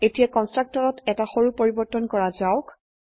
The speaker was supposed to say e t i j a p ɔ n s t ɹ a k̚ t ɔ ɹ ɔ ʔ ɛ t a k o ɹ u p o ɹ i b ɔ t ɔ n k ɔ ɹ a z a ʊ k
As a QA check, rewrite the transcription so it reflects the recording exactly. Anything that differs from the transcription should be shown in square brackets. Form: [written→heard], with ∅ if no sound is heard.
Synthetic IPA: e t i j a [p→k] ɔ n s t ɹ a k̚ t ɔ ɹ ɔ [ʔ→t] ɛ t a [k→x] o ɹ u p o ɹ i b ɔ t ɔ n k ɔ ɹ a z a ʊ k

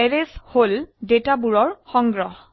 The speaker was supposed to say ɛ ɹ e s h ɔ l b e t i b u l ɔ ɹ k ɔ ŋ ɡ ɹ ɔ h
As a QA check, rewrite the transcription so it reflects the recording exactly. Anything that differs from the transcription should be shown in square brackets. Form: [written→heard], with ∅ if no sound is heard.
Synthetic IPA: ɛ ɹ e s h [ɔ→o] l [b→d] e t [i→a] b u [l→ɹ] ɔ ɹ [k→x] ɔ ŋ ɡ ɹ ɔ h

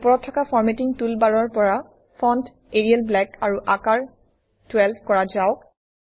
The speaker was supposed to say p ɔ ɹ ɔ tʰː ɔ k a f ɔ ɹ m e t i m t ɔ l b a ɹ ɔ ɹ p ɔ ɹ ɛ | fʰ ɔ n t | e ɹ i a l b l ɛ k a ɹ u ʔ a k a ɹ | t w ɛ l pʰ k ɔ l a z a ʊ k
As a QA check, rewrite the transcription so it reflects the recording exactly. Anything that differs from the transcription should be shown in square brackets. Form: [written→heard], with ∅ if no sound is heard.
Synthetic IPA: p ɔ ɹ ɔ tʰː ɔ k a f ɔ ɹ m e t i [m→ŋ] t [ɔ→u] l b a ɹ ɔ ɹ p ɔ ɹ [ɛ→a] | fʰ ɔ n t | e ɹ i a l b l ɛ k a ɹ u ʔ a k a ɹ | t w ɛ l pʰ k ɔ [l→ɹ] a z a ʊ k

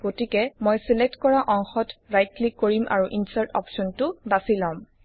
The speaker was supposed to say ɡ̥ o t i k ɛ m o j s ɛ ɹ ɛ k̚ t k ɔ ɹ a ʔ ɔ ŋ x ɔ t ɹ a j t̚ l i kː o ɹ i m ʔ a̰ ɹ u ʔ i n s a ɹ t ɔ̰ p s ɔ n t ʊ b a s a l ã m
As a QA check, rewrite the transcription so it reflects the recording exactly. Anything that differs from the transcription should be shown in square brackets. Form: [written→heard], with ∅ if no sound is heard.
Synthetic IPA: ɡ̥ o t i k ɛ m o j s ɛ [ɹ→l] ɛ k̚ t k ɔ ɹ a ʔ ɔ ŋ x ɔ t ɹ a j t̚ l i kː o ɹ i m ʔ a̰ ɹ u ʔ i n s a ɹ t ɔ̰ p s ɔ n t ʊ b a s [a→i] l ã m

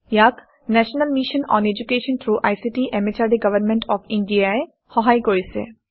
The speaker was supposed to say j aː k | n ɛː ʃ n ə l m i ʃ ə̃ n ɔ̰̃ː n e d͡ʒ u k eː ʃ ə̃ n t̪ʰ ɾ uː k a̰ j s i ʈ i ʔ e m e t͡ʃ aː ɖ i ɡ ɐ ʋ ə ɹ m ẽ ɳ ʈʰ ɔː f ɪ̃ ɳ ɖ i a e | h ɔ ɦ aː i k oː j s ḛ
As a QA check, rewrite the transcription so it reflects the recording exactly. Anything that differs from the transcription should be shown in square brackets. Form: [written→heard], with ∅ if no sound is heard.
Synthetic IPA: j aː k | n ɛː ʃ n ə l m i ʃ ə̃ n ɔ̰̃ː n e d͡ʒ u k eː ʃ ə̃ n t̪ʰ ɾ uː [k→ʔ] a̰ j s i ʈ i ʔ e m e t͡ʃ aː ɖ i ɡ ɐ ʋ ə [ɹ→ɾ] m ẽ ɳ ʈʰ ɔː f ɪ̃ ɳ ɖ i a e | h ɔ ɦ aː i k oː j s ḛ

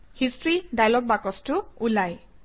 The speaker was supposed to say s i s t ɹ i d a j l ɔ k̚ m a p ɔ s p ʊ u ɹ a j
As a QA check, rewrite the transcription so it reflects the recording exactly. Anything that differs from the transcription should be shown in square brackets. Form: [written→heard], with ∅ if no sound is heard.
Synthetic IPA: [s→h] i s t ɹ i d a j l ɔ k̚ [m→b] a [p→k] ɔ s [p→t] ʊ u [ɹ→l] a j

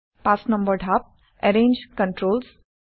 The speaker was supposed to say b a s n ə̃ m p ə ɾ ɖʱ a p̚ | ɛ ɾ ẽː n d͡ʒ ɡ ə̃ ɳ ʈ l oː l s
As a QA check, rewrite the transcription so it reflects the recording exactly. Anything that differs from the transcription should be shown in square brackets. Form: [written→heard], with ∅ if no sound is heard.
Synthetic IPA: [b→p] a s n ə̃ m [p→b] ə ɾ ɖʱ a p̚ | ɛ ɾ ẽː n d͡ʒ [ɡ→k] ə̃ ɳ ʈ [l→ɾ] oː l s

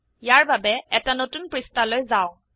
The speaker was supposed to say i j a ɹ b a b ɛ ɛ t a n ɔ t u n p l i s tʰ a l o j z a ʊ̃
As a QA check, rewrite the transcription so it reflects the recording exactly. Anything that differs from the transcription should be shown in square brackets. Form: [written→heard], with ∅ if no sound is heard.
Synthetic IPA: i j a ɹ b a b ɛ ɛ t a n [ɔ→o] t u n p [l→ɹ] i s [tʰ→t] a l o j z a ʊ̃

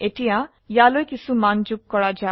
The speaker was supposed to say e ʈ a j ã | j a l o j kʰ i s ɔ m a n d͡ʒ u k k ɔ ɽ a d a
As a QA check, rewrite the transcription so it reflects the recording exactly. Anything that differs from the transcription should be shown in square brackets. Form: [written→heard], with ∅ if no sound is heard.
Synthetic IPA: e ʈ [a→i] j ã | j a l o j [kʰ→k] i s [ɔ→u] m a n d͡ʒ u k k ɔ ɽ a [d→d͡ʒ] a

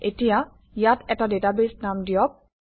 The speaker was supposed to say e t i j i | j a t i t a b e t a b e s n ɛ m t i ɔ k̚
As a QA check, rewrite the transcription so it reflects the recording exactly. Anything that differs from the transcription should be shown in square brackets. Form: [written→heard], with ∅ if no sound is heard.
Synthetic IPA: e t i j [i→a] | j a t [i→ɛ] t a [b→d] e t a b e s n [ɛ→a] m [t→d] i ɔ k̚

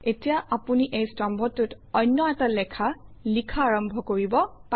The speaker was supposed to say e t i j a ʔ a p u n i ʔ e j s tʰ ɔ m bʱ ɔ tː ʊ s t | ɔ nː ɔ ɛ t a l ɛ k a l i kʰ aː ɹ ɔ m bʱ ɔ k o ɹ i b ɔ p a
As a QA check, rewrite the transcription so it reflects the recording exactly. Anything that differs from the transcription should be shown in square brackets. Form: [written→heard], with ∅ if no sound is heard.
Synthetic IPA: e t i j a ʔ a p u n i ʔ e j s [tʰ→t] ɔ m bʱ ɔ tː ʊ [s→∅] t | ɔ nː ɔ ɛ t a l ɛ [k→kʰ] a l i kʰ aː ɹ ɔ m bʱ ɔ k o ɹ i b ɔ p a

